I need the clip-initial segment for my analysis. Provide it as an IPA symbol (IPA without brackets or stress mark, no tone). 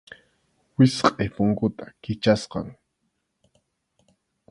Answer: w